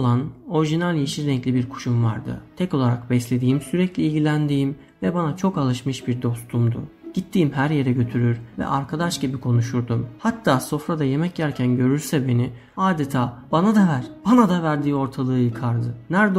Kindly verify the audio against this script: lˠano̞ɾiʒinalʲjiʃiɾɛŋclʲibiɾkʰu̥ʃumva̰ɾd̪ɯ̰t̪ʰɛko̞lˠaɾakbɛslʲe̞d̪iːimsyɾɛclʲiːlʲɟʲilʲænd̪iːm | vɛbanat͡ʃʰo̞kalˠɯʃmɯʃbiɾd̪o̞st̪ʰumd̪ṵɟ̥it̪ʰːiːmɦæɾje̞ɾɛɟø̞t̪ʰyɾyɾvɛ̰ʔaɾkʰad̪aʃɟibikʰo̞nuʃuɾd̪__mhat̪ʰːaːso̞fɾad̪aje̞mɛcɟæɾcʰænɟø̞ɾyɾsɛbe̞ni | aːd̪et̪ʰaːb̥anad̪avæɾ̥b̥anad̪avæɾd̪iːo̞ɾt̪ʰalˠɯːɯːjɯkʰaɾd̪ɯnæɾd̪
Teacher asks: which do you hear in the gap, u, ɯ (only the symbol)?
u